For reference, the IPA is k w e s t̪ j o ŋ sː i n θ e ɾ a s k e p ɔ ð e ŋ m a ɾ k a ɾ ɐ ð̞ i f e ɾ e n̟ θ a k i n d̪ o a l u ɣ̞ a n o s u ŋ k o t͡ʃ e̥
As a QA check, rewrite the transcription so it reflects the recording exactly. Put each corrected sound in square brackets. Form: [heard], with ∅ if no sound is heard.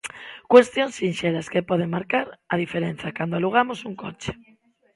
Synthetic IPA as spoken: k w e s t̪ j o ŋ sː i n [ʃ] e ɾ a s k e p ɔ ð e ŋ m a ɾ k a ɾ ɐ ð̞ i f e ɾ e n̟ θ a k [a] n d̪ o a l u ɣ̞ a [m] o s u ŋ k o t͡ʃ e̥

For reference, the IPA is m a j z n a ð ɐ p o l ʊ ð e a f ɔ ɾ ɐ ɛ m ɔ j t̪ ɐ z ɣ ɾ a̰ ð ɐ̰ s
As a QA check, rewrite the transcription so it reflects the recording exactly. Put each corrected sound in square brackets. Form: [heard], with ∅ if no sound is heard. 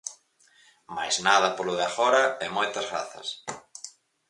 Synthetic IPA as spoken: m a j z n a ð ɐ p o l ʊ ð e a f ɔ ɾ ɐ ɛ m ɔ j t̪ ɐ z ɣ ɾ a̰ [θ] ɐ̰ s

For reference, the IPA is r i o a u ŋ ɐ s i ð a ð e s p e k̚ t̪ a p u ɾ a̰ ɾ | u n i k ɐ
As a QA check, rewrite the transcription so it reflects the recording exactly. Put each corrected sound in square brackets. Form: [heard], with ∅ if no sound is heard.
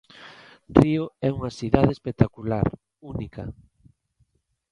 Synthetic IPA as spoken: r i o [ɛ] u ŋ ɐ s i ð a ð e s p e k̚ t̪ a [k] u [l] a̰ ɾ | u n i k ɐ

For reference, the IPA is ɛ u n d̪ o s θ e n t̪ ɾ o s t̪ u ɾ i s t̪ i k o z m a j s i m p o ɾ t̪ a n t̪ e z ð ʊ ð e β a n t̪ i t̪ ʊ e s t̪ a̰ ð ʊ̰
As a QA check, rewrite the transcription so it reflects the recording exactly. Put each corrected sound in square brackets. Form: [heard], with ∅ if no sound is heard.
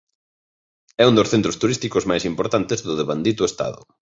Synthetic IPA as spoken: ɛ u n d̪ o s θ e n t̪ ɾ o s t̪ u ɾ i s t̪ i k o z m a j s i m p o ɾ t̪ a n t̪ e z ð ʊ ð e β a n [d̪] i t̪ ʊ e s t̪ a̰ ð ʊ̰

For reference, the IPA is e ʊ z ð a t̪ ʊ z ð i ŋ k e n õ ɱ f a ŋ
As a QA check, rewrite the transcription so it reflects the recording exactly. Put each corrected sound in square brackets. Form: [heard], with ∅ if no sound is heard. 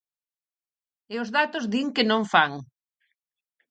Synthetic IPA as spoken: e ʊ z ð a t̪ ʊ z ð i ŋ k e n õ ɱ f a ŋ

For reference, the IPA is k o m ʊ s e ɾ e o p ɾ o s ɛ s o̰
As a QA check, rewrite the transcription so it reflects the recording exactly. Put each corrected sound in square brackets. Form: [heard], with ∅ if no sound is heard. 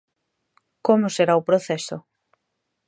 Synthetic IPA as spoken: k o m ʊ s e ɾ [a] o p ɾ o [θ] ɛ s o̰

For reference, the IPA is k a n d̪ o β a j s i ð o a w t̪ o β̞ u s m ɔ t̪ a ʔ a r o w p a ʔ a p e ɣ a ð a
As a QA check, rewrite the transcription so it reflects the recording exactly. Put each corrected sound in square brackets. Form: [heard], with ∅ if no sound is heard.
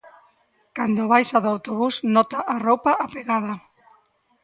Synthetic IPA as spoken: k a n d̪ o β a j s [a] ð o a w t̪ o β̞ u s [n] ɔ t̪ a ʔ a r o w p a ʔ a p e ɣ a ð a

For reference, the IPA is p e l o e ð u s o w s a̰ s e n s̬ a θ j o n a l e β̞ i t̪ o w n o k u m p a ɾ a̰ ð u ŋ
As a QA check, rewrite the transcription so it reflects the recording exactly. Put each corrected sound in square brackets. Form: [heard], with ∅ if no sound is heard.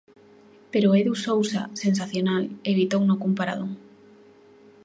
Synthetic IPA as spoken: p e [ɾ] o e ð u s o w s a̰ s e n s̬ a θ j o n a l e β̞ i t̪ o w n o k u m p a ɾ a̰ ð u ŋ

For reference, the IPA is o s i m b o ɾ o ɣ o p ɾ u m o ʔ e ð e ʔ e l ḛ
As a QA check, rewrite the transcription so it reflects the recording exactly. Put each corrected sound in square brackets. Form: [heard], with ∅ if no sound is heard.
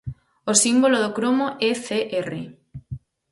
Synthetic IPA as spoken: o s i m b o [l] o [ð] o [k] ɾ [o] m o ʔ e [θ] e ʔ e [r] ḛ

